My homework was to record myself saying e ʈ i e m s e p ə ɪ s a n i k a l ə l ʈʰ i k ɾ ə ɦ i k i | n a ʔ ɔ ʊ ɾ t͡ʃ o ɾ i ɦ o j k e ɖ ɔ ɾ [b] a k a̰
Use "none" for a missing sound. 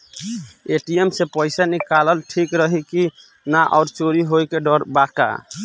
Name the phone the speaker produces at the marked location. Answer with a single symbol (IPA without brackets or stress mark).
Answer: b